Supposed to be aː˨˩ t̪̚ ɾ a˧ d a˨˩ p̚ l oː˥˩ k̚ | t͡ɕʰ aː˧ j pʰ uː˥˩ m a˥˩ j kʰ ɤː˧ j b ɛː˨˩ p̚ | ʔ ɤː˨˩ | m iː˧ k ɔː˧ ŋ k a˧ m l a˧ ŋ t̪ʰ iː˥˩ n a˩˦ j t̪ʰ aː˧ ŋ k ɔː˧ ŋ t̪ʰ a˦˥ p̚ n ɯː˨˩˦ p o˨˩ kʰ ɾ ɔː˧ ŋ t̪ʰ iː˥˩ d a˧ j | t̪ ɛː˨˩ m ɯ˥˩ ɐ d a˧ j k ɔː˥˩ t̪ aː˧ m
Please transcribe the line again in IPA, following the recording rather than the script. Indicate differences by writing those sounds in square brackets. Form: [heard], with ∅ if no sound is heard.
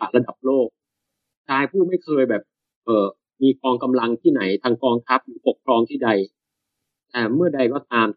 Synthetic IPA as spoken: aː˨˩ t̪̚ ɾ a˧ d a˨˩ p̚ l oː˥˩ k̚ | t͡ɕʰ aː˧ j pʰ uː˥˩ m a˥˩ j kʰ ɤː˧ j b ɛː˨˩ p̚ | ʔ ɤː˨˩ | m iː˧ k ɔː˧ ŋ k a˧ m l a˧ ŋ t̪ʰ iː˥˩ n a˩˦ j t̪ʰ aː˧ ŋ k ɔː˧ ŋ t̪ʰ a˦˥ p̚ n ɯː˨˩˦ p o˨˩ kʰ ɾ ɔː˧ ŋ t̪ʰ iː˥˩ d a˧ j | t̪ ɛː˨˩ m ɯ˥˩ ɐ d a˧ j k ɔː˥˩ t̪ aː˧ m